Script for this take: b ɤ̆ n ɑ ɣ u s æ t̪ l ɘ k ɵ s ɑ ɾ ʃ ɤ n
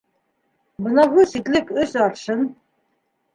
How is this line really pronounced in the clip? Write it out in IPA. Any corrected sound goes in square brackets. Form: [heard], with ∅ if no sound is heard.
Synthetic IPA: b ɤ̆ n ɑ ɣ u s [i] t̪ l ɘ k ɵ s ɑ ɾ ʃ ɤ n